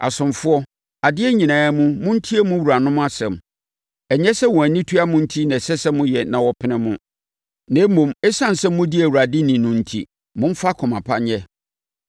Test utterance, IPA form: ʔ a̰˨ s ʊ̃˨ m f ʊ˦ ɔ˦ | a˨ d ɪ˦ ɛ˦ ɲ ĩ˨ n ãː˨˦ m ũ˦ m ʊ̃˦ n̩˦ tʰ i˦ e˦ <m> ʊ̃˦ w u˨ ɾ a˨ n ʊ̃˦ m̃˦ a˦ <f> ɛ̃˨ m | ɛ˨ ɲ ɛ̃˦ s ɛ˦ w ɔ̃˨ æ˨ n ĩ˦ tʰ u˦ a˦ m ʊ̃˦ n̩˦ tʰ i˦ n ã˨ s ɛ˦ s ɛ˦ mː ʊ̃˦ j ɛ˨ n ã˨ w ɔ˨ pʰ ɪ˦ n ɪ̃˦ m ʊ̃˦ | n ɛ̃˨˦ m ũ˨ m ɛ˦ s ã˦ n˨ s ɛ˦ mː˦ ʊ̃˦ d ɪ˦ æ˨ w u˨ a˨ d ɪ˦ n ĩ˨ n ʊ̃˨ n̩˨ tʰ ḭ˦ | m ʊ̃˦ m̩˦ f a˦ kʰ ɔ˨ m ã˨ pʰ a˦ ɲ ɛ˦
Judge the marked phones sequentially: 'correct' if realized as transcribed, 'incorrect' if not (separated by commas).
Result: correct, incorrect